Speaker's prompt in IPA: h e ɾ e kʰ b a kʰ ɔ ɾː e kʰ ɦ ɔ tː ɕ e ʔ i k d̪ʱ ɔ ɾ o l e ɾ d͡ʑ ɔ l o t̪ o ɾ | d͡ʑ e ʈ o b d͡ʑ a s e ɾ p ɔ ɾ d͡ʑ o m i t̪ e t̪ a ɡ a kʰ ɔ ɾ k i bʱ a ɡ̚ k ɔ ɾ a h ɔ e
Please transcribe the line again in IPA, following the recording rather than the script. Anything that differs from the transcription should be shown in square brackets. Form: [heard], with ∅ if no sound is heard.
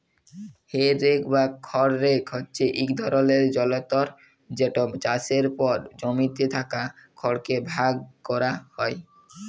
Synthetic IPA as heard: h e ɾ e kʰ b a kʰ ɔ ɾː e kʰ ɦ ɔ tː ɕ e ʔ i k d̪ʱ ɔ ɾ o l e ɾ d͡ʑ ɔ l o t̪ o ɾ | d͡ʑ e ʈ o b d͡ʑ a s e ɾ p ɔ ɾ d͡ʑ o m i t̪ e [t̪ʰ] a [k] a kʰ ɔ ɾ k [e] bʱ a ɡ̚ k ɔ ɾ a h ɔ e

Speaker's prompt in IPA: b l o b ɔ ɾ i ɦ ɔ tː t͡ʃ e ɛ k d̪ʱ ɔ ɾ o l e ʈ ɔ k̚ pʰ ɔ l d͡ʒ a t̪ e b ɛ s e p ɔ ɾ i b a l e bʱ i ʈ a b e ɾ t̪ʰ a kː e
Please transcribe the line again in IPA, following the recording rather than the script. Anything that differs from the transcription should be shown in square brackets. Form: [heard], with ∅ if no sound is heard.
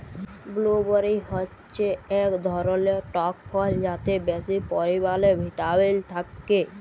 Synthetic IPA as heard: b l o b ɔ ɾ i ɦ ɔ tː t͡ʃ e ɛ k d̪ʱ ɔ ɾ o l e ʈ ɔ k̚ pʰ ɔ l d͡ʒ a t̪ e b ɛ s [i] p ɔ ɾ i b a l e bʱ i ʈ a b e [l] t̪ʰ a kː e

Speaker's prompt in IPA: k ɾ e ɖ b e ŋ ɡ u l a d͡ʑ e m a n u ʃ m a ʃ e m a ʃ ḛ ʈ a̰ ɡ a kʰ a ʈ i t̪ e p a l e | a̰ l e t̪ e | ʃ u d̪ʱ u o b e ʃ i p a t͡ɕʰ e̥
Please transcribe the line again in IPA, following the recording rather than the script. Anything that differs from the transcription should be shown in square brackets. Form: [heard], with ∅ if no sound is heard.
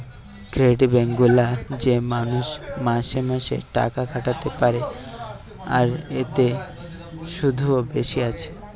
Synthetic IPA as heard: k ɾ e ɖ b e ŋ ɡ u l a d͡ʑ e m a n u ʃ m a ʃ e m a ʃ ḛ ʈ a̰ [k] a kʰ a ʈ [a] t̪ e p a [ɾ] e | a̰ [ɾ] e t̪ e | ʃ u d̪ʱ u o b e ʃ i [∅] a t͡ɕʰ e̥

